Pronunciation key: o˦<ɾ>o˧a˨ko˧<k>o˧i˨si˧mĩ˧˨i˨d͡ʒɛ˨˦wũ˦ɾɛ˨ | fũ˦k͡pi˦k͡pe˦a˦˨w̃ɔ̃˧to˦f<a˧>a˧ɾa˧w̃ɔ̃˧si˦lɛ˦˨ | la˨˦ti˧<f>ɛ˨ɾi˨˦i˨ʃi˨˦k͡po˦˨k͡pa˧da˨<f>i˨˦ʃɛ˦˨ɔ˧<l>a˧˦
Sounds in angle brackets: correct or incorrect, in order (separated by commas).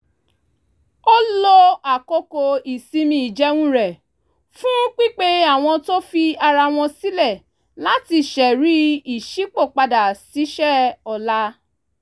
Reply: incorrect, correct, incorrect, incorrect, incorrect, correct